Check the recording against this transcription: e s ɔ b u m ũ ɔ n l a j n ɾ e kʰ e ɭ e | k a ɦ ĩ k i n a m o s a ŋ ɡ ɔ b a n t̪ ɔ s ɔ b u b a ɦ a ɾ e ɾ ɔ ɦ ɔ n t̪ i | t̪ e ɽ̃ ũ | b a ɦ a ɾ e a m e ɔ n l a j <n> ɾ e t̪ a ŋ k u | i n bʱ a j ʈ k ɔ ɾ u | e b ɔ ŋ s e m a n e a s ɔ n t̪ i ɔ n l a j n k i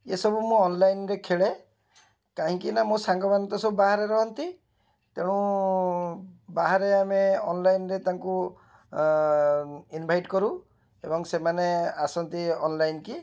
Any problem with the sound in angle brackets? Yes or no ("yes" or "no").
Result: no